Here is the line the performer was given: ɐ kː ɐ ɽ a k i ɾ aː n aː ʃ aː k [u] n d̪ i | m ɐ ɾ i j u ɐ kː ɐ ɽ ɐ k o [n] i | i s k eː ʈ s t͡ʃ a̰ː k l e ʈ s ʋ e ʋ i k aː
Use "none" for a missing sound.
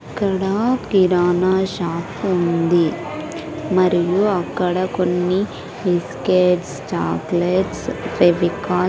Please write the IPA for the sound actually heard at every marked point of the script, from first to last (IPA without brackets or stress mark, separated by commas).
u, nː